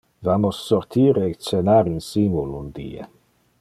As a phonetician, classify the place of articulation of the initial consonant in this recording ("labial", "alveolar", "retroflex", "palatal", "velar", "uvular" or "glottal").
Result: labial